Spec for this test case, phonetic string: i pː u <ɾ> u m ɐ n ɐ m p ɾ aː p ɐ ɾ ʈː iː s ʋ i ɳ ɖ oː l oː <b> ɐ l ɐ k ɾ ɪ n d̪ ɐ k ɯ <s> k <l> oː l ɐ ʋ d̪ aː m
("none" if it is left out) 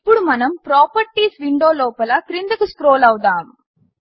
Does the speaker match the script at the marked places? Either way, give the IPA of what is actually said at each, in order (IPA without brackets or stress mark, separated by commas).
ɽ, p, s, ɾ